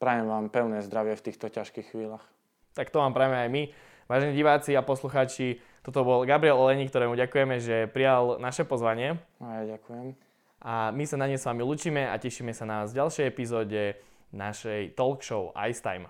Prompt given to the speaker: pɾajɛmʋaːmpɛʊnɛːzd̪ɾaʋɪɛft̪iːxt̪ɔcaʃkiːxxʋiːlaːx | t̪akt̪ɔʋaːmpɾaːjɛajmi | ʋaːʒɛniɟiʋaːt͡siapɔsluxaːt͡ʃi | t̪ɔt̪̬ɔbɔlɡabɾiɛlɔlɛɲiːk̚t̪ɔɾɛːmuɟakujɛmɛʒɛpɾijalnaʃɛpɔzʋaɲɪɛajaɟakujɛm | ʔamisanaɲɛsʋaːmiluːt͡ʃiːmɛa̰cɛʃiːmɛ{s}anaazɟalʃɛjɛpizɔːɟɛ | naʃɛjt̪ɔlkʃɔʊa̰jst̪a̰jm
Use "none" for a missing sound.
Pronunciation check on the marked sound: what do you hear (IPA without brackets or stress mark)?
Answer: s